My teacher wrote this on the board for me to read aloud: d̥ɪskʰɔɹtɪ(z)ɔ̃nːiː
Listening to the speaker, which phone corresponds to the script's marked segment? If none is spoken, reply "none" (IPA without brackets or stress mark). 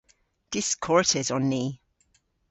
z